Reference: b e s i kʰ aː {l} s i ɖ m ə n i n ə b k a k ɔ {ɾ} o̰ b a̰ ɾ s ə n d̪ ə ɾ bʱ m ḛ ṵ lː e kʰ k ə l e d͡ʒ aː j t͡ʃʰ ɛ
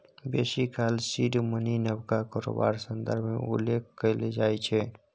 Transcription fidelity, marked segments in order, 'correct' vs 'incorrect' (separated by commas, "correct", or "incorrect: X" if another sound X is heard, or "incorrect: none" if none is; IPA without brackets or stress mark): correct, correct